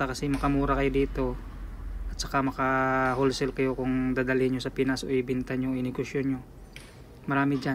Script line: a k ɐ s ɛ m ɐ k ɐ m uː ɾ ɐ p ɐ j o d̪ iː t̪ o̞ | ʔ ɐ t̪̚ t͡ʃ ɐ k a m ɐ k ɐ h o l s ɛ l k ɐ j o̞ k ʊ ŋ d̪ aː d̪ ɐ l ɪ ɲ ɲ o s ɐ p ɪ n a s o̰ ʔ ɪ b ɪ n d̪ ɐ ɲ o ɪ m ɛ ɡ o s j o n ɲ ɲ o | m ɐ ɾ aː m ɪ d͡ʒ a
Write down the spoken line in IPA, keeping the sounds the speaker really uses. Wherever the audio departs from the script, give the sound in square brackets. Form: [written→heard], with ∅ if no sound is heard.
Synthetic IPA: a k ɐ s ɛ m ɐ k ɐ m uː ɾ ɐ [p→k] ɐ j o d̪ iː t̪ o̞ | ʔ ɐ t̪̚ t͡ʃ ɐ k a m ɐ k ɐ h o l s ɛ l k ɐ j o̞ k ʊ ŋ d̪ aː d̪ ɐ l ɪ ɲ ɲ o s ɐ p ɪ n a s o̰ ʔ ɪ b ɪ n [d̪→t̪] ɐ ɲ o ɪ [m→n] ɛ ɡ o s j o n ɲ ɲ o | m ɐ ɾ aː m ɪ d͡ʒ a